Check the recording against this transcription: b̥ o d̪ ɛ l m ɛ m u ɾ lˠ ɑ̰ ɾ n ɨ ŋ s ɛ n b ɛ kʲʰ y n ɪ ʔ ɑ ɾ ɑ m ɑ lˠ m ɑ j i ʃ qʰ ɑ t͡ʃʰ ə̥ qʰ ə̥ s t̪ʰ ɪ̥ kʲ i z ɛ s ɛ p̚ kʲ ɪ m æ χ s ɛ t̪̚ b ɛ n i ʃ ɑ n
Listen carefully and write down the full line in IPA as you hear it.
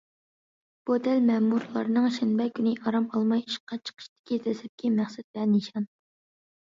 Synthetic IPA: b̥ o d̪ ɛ l m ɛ m u ɾ lˠ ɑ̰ ɾ n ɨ ŋ ʃ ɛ n b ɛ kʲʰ y n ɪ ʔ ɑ ɾ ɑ m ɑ lˠ m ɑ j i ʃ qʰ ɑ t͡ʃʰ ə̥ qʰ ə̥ ʃ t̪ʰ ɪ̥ kʲ i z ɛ s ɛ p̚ kʲ i m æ χ s ɛ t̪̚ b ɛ n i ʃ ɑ n